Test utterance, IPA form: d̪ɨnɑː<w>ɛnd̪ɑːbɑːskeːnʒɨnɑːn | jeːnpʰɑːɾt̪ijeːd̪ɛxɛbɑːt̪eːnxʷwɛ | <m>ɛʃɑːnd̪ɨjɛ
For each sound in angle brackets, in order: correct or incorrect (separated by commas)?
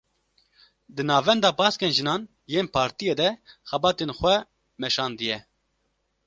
incorrect, correct